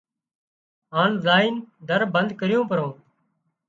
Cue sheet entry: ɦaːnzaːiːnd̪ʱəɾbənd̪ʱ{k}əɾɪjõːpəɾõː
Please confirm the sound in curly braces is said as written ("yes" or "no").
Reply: yes